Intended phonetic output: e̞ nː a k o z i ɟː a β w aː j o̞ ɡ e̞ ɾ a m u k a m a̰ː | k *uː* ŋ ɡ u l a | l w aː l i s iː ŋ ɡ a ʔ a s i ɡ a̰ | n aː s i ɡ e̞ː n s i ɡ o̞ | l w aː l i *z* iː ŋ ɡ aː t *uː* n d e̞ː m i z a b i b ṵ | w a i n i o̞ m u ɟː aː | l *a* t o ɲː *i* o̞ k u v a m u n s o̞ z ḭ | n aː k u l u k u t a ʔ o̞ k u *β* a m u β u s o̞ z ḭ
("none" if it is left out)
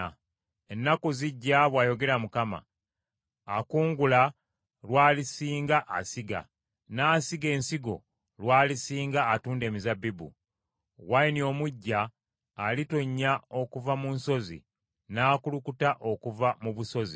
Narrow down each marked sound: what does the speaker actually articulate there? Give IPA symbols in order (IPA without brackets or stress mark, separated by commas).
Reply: uː, s, uː, i, a, v